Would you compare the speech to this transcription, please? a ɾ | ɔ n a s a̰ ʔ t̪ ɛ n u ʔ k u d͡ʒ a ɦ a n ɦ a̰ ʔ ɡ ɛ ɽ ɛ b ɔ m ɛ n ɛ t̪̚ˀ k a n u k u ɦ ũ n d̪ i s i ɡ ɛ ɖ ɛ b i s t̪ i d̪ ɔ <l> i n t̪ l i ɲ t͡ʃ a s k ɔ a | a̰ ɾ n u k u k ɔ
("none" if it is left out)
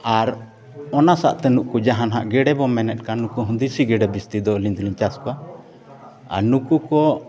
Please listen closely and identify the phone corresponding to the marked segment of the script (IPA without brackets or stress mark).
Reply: l